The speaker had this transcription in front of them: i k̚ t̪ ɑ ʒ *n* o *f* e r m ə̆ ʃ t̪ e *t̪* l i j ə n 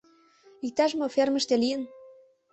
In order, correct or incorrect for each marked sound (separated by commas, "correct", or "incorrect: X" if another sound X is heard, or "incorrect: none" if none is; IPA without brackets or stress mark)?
incorrect: m, correct, incorrect: none